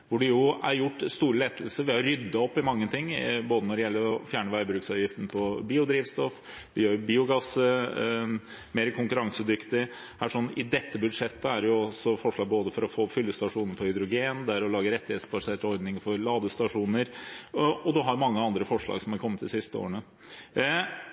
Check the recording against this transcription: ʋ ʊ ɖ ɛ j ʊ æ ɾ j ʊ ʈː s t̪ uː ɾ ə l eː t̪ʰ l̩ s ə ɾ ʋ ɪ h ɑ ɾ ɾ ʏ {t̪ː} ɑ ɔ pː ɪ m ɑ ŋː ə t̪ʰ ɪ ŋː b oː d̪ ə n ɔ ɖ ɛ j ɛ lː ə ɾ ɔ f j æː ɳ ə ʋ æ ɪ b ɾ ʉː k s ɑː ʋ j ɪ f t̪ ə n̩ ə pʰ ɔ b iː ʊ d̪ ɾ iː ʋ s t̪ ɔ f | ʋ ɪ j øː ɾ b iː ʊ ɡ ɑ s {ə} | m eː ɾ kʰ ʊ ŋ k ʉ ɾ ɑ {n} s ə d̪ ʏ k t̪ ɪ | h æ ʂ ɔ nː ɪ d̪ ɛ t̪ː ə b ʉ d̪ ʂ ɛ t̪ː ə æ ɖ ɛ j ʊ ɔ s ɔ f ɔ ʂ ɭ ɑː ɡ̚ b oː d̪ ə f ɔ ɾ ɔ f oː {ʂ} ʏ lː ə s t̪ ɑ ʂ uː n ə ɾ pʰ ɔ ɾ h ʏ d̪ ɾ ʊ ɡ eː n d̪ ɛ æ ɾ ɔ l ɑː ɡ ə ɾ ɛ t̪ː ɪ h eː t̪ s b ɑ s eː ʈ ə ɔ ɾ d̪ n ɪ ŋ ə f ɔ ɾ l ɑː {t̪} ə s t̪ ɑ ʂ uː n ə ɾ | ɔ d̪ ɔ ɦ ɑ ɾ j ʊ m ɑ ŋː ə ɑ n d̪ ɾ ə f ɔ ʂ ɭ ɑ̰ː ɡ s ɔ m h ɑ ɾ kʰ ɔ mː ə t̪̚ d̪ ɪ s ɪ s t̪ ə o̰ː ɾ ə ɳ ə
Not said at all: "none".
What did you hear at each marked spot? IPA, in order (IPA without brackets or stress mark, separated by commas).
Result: d̪ː, ə, ŋ, f, d̪